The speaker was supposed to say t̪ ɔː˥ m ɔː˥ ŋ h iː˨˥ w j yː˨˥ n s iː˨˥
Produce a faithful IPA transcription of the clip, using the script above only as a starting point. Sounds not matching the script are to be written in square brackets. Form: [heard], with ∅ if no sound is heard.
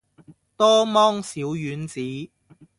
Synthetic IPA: t̪ ɔː˥ m ɔː˥ ŋ [s] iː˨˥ w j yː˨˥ n [t͡s] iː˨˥